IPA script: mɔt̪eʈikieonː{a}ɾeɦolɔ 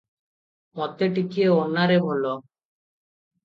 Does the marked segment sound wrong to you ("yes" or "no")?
no